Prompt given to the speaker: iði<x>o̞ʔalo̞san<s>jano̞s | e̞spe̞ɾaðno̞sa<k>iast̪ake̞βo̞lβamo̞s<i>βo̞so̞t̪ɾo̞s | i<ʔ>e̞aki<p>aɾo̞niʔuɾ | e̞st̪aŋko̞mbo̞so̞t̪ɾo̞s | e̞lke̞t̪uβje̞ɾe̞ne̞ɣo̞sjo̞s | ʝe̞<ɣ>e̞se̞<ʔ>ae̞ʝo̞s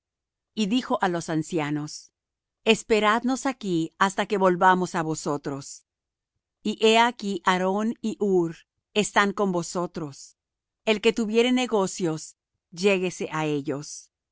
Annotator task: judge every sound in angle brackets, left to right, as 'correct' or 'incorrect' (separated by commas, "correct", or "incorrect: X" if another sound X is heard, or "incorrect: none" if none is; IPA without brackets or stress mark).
correct, correct, correct, incorrect: a, correct, incorrect: ʔ, correct, correct